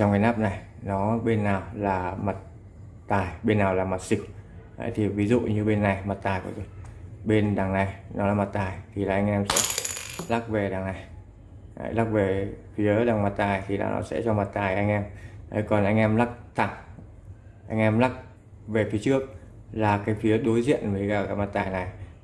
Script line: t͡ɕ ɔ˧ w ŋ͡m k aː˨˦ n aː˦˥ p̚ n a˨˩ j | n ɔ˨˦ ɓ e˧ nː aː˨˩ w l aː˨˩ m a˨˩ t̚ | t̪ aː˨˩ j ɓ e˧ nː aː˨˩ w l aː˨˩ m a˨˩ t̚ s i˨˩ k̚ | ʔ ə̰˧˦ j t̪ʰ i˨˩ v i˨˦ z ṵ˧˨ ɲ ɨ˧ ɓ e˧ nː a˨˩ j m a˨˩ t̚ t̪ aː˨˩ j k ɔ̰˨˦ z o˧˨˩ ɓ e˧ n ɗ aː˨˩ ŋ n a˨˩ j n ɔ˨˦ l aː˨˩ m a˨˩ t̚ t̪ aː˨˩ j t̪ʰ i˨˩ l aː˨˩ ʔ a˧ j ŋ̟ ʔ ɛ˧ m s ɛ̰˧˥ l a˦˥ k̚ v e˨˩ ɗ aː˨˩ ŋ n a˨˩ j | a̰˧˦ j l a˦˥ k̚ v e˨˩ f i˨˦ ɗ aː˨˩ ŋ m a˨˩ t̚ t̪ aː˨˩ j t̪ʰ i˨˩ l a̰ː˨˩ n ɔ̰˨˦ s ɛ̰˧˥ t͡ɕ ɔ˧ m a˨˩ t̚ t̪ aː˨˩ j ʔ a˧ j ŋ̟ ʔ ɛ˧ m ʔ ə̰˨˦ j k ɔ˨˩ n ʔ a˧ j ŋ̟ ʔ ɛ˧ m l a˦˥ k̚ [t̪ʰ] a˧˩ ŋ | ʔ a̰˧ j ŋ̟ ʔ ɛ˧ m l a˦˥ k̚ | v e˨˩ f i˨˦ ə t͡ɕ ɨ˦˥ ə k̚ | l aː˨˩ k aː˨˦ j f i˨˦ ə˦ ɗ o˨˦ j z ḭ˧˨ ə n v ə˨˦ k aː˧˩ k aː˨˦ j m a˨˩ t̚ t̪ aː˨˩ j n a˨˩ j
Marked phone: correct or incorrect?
correct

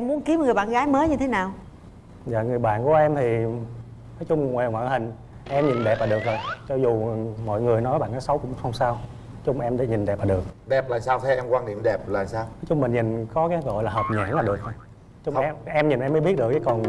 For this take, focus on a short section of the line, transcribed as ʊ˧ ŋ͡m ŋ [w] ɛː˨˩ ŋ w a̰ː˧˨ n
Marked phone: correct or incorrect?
correct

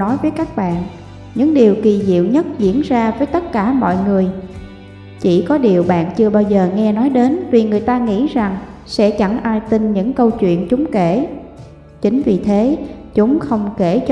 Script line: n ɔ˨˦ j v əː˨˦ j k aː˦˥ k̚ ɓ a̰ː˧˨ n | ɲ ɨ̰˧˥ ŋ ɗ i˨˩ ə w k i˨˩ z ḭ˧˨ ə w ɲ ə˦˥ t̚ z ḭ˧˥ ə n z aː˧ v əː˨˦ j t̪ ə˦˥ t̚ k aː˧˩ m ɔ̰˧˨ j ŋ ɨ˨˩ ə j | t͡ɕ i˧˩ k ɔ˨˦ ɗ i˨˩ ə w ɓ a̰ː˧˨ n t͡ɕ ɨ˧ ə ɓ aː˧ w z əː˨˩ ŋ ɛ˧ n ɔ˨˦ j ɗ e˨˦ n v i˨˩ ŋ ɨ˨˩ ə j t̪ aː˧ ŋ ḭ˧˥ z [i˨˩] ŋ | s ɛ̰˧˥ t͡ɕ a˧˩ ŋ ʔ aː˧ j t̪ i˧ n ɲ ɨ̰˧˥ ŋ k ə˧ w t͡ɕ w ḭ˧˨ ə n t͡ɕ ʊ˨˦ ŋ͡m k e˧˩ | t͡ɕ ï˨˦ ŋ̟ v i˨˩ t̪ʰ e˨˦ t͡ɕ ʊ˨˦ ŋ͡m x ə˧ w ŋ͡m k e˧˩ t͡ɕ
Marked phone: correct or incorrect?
incorrect: a˨˩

